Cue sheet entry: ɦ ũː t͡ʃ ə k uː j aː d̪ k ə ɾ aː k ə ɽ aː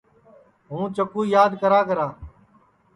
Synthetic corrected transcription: ɦ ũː t͡ʃ ə k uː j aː d̪ k ə ɾ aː k ə ɾ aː